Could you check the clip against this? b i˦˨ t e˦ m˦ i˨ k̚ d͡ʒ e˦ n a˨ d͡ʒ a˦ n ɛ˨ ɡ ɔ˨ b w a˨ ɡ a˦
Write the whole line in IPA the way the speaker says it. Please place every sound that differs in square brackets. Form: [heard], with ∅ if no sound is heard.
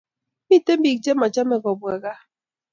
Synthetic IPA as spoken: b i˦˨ t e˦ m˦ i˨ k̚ d͡ʒ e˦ [m] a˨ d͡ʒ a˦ [m] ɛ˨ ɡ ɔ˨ b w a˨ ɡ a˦

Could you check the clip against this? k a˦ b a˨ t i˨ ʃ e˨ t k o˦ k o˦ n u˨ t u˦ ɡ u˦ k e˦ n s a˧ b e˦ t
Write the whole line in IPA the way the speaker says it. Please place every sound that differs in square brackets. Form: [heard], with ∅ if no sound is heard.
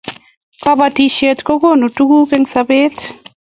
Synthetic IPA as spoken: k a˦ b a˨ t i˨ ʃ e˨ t k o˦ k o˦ n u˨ t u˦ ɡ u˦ k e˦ [ŋ] s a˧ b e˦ t

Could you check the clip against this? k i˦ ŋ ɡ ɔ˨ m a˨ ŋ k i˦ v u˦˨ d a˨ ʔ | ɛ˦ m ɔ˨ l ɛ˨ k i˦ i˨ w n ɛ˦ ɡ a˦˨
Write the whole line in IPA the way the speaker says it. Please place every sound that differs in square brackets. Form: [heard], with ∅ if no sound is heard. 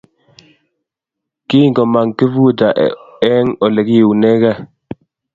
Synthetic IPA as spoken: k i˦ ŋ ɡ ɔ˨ m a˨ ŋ k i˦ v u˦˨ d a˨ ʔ | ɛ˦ [ŋ] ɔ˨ l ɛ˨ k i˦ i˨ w n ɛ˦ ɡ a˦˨

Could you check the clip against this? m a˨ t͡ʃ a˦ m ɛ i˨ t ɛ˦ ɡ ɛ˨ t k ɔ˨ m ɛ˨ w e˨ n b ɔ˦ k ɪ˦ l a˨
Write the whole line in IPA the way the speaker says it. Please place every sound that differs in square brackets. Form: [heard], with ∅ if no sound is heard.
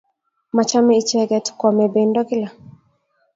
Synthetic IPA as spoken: m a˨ t͡ʃ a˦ m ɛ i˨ [t͡ʃ] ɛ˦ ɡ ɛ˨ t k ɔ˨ m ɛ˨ [b] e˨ n [d] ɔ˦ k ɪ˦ l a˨

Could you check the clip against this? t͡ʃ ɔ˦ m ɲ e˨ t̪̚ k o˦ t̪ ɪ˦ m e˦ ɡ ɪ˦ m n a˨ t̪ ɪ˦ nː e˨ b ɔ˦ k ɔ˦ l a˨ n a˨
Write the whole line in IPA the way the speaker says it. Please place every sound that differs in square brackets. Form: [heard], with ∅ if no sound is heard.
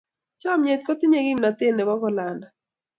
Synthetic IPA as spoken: t͡ʃ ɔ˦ m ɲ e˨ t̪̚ k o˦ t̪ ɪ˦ [ɲ] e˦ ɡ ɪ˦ m n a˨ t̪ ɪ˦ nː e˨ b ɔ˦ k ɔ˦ l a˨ n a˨

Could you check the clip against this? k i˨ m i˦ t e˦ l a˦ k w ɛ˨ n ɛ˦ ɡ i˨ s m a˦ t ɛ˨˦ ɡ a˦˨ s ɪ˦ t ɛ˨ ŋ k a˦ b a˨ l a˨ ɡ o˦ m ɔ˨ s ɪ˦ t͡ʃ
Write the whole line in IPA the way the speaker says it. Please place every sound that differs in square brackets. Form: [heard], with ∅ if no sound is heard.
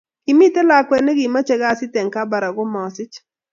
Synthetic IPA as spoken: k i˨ m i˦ t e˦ l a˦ k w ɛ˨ n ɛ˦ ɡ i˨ [∅] m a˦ [t͡ʃ] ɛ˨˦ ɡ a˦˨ s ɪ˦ t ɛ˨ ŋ k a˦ b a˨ [ɾ] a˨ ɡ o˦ m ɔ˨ s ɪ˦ t͡ʃ

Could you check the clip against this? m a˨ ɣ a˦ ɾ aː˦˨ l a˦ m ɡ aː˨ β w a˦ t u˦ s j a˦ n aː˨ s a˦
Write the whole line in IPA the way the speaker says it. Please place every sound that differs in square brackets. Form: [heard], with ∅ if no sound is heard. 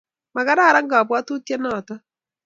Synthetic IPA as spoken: m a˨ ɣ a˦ ɾ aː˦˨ [ɾ] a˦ [ŋ] ɡ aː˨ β w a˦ t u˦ [t] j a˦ n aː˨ [t] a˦

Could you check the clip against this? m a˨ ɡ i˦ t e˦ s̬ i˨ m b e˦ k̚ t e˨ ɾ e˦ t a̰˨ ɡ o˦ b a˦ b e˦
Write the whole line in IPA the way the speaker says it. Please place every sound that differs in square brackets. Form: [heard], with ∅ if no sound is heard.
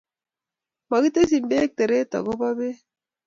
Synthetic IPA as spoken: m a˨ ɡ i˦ t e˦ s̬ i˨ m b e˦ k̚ t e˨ ɾ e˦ t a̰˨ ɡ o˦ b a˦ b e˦

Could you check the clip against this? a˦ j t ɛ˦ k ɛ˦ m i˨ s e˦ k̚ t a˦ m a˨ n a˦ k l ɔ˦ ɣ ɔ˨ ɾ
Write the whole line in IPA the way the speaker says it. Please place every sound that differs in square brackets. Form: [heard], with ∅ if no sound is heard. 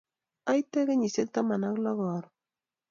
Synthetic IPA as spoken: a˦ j t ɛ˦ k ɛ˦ [ɲ] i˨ s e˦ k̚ t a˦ m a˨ n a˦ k l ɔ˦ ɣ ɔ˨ ɾ

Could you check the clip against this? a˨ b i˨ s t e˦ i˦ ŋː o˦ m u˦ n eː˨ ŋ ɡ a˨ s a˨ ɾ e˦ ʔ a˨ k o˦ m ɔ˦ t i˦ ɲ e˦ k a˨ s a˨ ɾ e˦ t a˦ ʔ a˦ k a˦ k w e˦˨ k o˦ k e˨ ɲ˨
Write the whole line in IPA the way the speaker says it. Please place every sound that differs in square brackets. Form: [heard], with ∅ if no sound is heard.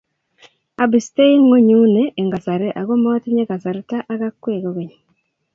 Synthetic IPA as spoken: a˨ b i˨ s t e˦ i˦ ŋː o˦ [ɲ] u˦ n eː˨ ŋ ɡ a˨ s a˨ ɾ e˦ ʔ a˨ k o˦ m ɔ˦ t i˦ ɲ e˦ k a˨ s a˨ ɾ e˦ t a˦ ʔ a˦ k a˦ k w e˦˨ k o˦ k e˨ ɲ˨

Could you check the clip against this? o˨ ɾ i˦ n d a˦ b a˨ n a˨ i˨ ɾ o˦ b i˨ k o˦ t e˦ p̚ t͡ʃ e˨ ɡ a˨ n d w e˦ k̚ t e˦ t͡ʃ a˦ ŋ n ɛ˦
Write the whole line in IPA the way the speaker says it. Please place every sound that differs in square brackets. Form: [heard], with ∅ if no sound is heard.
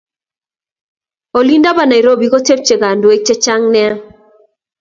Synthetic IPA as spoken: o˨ [l] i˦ n d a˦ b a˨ n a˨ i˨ ɾ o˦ b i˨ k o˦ t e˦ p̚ t͡ʃ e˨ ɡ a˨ n d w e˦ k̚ [t͡ʃ] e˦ t͡ʃ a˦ ŋ n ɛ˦

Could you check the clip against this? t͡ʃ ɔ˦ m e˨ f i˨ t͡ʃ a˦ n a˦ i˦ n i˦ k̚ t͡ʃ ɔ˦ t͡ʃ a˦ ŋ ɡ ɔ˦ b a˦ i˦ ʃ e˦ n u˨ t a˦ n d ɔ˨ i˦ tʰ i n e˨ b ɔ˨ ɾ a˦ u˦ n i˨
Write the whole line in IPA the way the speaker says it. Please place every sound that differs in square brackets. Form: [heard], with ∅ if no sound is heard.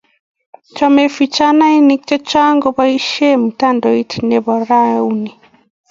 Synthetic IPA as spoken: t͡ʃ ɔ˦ m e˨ f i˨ t͡ʃ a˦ n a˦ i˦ n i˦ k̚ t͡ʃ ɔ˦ t͡ʃ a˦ ŋ ɡ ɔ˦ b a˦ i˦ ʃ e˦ [m] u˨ t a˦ n d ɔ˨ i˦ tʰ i n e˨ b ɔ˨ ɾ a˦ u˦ n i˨

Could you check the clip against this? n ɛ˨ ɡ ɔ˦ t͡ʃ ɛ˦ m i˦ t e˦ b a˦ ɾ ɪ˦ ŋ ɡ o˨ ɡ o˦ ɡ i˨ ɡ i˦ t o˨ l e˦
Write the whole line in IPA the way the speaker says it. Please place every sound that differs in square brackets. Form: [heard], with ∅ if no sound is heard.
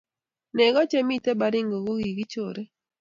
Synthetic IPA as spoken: n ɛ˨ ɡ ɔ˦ t͡ʃ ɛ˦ m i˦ t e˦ b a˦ ɾ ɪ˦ ŋ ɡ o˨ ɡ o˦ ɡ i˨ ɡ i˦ [t͡ʃ] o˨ [ɾ] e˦

